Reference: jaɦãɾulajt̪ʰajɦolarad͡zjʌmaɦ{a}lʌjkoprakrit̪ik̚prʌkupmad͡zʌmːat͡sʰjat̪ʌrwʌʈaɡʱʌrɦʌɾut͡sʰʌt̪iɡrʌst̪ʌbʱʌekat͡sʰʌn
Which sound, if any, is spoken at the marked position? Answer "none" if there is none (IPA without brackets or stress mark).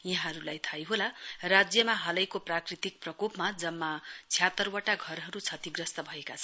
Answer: ʌ